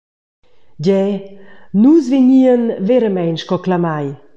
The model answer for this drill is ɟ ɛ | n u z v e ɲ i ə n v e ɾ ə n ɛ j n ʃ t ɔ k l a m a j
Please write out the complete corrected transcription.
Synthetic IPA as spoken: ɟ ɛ | n u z v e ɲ i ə n v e ɾ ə m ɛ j n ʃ k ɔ k l a m a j